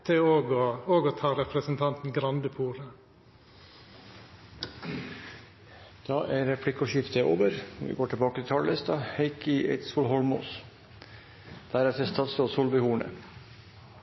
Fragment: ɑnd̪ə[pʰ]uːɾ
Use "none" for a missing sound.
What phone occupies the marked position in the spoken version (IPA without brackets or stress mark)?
pʰ